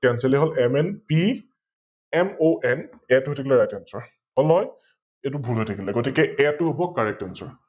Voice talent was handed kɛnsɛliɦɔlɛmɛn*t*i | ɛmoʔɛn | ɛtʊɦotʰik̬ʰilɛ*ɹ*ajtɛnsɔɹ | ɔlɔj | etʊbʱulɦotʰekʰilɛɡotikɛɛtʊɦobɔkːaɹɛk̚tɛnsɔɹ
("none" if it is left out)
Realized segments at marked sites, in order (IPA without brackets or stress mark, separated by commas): p, ɹ